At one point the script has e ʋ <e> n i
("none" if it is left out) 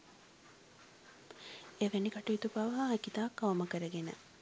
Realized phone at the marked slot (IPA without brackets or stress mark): e